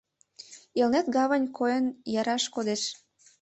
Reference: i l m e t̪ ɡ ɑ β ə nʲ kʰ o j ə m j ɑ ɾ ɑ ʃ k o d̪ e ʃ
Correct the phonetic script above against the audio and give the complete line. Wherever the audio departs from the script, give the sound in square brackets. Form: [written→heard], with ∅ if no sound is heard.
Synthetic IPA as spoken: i l [m→n] e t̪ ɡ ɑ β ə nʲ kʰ o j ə [m→n] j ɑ ɾ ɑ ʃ k o d̪ e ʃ